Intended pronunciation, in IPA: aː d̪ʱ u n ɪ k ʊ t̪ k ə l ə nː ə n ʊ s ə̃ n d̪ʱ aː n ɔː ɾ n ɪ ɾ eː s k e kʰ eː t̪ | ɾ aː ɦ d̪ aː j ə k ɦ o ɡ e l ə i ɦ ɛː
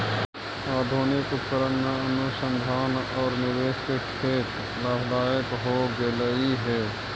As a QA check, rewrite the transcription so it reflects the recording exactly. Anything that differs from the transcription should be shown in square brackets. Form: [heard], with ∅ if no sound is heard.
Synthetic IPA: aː d̪ʱ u n ɪ k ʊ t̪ k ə [ɾ] ə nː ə n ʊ s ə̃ n d̪ʱ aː n ɔː ɾ n ɪ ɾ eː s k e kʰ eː t̪ | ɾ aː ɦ d̪ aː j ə k ɦ o ɡ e l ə i ɦ ɛː

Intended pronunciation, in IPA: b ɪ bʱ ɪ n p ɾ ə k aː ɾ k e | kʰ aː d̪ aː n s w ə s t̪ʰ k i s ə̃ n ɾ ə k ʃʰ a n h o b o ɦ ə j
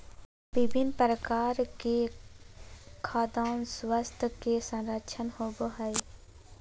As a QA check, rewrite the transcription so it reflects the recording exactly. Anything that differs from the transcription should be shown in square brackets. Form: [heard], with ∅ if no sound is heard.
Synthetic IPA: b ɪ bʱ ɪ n p ɾ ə k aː ɾ k e | kʰ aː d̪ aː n s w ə s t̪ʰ k [e] s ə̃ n ɾ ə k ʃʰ [ə] n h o b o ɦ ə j

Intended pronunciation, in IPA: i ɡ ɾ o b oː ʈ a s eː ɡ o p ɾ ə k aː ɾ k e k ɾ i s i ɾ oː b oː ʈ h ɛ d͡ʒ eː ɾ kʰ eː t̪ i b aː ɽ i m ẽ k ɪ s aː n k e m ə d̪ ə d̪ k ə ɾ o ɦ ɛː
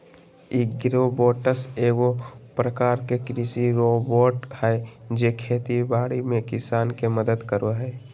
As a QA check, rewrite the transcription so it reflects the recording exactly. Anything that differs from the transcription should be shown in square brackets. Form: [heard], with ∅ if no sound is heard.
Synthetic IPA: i ɡ ɾ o b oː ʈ [ə] s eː ɡ o p ɾ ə k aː ɾ k e k ɾ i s i ɾ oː b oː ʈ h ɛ d͡ʒ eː [∅] kʰ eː t̪ i b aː ɽ i m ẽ k ɪ s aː n k e m ə d̪ ə d̪ k ə ɾ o ɦ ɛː

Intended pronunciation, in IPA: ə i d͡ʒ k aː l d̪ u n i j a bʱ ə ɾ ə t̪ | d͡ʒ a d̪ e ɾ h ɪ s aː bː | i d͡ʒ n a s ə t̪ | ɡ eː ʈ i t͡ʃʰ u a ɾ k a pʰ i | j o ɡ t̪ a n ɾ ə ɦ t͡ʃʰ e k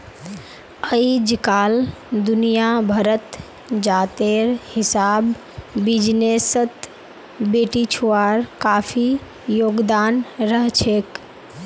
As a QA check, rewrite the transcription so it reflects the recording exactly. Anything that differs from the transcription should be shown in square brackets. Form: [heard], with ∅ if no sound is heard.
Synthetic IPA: ə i d͡ʒ k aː l d̪ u n i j a bʱ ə ɾ ə t̪ | d͡ʒ a [t̪] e ɾ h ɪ s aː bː | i d͡ʒ n [e] s ə t̪ | [b] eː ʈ i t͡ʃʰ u a ɾ k a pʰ i | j o ɡ [d̪] a n ɾ ə ɦ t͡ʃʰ e k

